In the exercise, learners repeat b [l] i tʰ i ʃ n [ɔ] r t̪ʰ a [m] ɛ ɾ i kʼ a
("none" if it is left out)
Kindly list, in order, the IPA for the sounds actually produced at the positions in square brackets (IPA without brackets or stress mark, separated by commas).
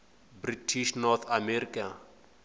r, ɔ, m